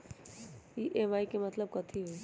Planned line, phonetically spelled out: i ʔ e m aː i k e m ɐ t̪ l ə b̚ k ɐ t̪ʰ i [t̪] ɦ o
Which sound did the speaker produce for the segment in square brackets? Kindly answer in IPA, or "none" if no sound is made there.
none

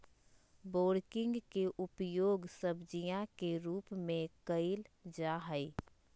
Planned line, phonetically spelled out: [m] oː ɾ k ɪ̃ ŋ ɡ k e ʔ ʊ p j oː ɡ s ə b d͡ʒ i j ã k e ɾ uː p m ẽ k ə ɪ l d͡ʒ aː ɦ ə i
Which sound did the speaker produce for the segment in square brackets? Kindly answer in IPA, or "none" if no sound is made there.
b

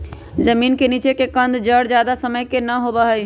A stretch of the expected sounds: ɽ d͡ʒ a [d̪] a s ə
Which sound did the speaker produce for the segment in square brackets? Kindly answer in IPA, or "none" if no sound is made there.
d̪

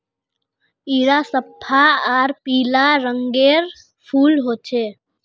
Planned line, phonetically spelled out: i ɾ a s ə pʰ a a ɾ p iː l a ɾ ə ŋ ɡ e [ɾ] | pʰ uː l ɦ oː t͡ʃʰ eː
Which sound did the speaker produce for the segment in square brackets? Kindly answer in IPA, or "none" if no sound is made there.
ɾ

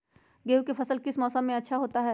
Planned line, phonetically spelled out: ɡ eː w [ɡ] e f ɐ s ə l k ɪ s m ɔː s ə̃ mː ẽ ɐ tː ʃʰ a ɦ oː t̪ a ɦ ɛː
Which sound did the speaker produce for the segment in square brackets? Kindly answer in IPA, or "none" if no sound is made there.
k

